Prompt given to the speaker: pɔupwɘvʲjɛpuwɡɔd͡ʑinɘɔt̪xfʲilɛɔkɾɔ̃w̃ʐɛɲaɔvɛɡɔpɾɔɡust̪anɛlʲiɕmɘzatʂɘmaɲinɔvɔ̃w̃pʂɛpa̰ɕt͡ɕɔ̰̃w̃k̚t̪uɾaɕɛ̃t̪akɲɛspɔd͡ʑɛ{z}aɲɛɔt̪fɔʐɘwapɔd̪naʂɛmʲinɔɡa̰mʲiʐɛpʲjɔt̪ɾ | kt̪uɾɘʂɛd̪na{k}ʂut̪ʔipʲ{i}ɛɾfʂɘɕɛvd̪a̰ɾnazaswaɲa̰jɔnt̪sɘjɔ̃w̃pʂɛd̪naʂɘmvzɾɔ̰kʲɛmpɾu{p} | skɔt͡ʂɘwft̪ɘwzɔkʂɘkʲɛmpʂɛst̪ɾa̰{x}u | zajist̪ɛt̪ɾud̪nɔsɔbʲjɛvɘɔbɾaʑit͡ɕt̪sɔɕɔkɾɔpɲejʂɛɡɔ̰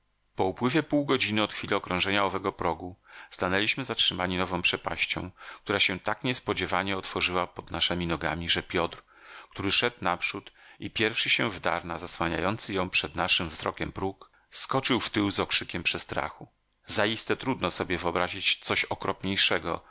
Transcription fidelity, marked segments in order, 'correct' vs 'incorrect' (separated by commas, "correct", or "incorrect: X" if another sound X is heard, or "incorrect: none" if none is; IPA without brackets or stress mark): incorrect: v, incorrect: p, incorrect: j, incorrect: k, correct